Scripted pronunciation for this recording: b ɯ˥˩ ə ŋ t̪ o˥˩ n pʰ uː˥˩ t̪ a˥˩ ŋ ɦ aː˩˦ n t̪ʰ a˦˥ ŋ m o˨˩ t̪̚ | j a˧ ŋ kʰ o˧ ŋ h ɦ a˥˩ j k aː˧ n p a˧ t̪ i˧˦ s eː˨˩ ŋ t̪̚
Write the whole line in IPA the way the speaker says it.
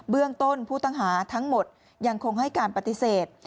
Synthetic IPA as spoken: b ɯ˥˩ ə ŋ t̪ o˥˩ n pʰ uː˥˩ t̪ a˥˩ ŋ ɦ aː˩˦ t̪ʰ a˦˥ ŋ m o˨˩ t̪̚ | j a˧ ŋ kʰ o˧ ŋ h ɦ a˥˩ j k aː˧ n p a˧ t̪ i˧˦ s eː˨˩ t̪̚